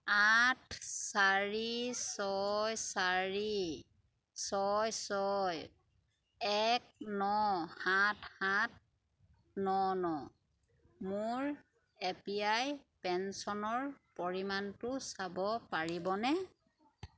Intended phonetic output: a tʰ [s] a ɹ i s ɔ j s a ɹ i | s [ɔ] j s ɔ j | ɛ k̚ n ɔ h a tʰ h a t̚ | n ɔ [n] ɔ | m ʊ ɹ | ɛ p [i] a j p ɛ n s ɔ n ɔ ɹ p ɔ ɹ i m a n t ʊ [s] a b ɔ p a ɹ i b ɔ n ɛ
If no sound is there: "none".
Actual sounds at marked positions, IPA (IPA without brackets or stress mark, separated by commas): s, ɔ, n, i, s